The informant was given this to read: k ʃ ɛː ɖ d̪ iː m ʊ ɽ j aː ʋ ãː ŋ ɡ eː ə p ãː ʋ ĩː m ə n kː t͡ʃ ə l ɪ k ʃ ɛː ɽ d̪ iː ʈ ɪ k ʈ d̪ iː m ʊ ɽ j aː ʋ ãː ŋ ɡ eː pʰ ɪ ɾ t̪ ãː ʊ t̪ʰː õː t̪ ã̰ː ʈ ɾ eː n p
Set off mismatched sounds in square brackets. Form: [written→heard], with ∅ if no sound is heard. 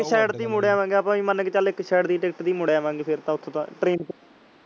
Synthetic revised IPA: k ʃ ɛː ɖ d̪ iː m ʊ ɽ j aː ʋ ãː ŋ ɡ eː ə p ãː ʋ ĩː m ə n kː t͡ʃ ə l ɪ k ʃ ɛː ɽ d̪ iː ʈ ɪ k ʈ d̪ iː m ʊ ɽ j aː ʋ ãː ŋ ɡ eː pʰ ɪ ɾ t̪ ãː ʊ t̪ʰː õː t̪ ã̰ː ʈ ɾ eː n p

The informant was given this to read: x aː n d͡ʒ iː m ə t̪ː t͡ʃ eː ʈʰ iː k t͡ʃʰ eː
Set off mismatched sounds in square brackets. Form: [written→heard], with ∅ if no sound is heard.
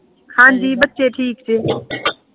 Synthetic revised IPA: x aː n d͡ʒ iː [m→b] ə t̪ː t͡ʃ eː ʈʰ iː k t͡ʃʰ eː

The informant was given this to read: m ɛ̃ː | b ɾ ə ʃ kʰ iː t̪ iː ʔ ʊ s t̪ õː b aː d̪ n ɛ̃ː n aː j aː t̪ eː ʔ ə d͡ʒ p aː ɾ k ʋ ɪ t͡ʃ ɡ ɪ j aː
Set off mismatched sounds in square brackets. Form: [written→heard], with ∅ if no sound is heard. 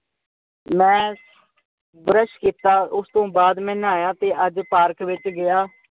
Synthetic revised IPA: m ɛ̃ː | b ɾ ə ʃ [kʰ→k] iː t̪ [iː→aː] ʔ ʊ s t̪ õː b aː d̪ [n→m] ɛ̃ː n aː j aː t̪ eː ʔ ə d͡ʒ p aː ɾ k ʋ ɪ t͡ʃ ɡ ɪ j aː

